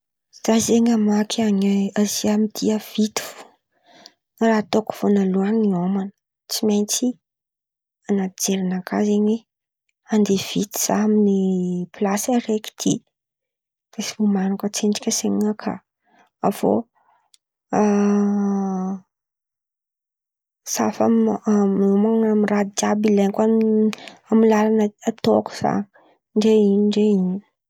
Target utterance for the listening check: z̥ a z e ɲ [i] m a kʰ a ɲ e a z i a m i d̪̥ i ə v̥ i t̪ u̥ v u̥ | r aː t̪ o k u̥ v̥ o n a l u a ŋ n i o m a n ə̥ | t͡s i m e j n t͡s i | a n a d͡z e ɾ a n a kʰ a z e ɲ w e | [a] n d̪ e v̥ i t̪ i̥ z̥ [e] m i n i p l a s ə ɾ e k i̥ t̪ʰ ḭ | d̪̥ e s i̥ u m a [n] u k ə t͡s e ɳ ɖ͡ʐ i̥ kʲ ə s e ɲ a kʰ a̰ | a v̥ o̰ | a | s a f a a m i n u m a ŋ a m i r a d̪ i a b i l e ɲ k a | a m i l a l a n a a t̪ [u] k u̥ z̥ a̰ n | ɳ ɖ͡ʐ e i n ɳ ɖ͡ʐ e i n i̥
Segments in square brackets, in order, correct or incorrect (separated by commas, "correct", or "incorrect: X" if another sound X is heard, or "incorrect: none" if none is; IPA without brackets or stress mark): incorrect: a, correct, incorrect: a, correct, incorrect: o